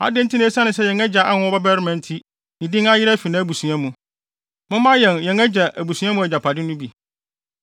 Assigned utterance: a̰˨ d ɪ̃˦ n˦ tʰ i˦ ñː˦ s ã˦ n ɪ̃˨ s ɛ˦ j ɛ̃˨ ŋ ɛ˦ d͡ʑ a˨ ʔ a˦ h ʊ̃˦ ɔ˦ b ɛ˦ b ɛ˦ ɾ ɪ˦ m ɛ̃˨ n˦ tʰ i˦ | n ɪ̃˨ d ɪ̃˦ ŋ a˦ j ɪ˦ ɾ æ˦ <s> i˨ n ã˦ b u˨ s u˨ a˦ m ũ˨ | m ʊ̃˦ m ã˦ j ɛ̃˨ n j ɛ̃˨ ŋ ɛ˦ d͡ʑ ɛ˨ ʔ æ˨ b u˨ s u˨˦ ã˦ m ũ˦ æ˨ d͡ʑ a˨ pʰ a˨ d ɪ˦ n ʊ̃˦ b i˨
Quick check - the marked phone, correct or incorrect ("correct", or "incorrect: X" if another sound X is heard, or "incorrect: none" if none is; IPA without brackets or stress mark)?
incorrect: f